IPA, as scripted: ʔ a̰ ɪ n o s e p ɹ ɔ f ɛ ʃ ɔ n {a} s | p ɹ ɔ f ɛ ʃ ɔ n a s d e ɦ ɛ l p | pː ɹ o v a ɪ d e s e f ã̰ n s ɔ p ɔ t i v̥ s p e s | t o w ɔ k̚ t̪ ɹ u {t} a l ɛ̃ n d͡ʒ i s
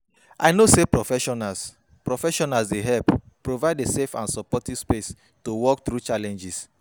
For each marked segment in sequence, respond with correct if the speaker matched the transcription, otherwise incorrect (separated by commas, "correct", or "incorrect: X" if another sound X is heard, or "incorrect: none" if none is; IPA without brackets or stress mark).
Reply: correct, incorrect: t͡ʃ